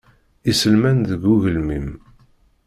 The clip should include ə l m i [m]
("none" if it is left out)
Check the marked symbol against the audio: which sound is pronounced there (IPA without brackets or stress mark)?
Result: m